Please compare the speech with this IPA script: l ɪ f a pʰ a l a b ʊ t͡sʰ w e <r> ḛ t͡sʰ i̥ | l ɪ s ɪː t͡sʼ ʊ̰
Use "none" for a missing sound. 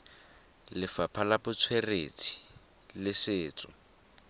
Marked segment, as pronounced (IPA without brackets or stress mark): r